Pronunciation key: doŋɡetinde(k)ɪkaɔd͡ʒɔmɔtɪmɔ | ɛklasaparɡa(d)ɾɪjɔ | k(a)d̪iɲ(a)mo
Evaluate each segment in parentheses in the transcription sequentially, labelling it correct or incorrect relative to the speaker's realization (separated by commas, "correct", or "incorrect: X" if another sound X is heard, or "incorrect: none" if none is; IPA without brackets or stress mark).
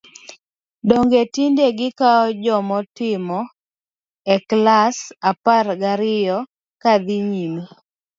incorrect: ɡ, incorrect: none, correct, incorrect: i